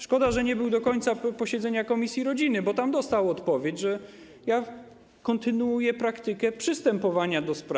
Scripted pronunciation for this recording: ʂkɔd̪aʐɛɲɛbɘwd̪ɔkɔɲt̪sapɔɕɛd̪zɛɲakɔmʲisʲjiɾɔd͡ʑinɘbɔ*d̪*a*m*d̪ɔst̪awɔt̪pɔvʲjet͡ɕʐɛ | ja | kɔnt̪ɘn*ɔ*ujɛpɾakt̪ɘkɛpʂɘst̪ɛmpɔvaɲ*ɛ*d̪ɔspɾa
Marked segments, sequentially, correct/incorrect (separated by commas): incorrect, correct, incorrect, incorrect